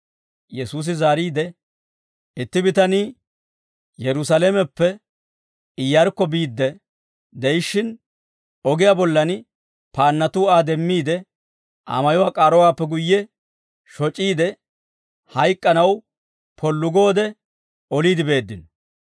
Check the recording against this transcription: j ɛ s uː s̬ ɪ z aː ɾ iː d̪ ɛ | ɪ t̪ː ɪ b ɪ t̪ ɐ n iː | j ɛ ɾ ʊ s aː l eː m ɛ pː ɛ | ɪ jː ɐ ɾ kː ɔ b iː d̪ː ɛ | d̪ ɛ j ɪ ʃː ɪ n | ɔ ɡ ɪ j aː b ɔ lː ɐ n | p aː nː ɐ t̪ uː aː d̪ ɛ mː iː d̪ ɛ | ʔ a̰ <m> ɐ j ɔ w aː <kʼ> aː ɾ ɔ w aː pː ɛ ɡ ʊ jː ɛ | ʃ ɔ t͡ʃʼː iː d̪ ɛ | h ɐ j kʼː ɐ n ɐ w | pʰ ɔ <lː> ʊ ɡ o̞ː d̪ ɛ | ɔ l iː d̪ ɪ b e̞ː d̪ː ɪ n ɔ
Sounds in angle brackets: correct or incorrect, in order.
correct, correct, correct

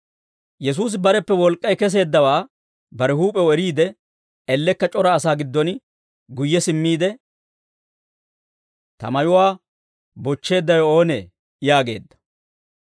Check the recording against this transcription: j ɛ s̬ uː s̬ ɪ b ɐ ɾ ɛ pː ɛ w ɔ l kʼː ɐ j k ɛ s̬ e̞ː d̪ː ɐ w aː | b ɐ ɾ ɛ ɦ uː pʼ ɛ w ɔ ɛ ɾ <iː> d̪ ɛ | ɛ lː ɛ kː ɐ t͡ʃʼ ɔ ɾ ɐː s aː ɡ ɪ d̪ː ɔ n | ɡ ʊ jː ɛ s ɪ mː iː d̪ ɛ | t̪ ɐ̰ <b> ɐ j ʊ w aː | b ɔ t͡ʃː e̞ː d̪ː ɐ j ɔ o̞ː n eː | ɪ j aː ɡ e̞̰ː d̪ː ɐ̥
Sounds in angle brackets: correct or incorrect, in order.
correct, incorrect: m

